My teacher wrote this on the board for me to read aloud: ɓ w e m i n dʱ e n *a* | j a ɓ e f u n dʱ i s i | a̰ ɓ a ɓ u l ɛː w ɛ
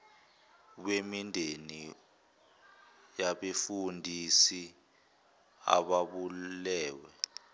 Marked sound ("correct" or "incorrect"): incorrect